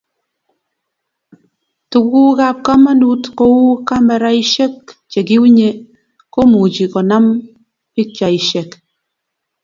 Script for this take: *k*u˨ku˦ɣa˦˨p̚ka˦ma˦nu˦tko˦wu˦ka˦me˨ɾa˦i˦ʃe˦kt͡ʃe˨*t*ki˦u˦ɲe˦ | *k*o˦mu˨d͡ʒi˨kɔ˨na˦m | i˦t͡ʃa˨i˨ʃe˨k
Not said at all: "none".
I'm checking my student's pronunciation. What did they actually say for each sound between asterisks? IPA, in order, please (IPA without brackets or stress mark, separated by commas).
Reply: t, none, k